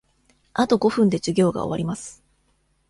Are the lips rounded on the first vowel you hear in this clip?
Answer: no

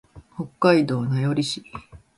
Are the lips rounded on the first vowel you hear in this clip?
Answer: yes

